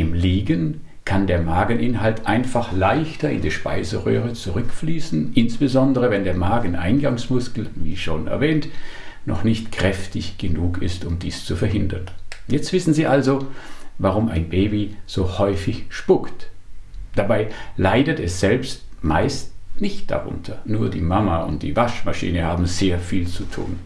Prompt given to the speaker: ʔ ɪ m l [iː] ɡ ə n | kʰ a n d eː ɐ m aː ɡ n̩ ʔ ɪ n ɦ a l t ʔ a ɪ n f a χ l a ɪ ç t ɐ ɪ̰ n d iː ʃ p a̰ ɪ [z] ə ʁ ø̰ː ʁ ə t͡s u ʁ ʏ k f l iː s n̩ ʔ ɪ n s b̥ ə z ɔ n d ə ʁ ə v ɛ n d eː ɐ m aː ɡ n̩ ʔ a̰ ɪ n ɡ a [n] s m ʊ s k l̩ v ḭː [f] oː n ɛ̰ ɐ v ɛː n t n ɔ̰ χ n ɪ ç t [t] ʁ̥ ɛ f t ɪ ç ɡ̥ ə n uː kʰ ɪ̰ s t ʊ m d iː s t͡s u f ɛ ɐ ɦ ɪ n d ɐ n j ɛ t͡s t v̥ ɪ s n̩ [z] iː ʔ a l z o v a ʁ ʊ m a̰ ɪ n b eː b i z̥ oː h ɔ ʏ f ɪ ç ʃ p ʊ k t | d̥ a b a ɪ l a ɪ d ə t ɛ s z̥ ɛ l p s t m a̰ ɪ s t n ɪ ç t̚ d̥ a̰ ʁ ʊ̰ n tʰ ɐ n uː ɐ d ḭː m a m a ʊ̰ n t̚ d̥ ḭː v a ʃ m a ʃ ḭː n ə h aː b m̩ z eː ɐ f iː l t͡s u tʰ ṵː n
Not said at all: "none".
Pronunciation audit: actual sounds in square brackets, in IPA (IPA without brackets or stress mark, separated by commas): iː, z, ŋ, ʃ, k, z